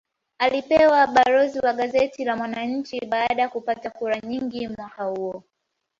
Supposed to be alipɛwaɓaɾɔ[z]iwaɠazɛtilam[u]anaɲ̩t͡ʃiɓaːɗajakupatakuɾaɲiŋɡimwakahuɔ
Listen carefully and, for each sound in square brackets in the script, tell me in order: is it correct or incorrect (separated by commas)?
correct, incorrect